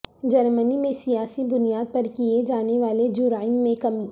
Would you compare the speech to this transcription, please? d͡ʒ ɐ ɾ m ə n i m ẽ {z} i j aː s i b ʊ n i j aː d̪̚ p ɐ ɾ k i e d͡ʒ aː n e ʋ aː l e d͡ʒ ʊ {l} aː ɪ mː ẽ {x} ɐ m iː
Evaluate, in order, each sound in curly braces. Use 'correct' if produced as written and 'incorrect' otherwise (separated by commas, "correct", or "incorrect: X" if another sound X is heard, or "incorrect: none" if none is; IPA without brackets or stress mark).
incorrect: s, incorrect: ɾ, incorrect: k